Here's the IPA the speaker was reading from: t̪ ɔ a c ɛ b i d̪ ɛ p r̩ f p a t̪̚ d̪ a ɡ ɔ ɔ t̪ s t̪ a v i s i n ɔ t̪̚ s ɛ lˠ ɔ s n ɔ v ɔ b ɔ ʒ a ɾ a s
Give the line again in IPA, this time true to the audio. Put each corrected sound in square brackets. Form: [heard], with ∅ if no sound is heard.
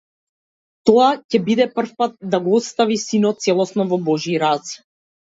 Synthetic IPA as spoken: t̪ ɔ a c ɛ b i d̪ ɛ p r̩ f p a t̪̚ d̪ a ɡ ɔ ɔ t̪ s t̪ a v i s i n ɔ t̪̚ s ɛ lˠ ɔ s n ɔ v ɔ b ɔ ʒ [i] ɾ a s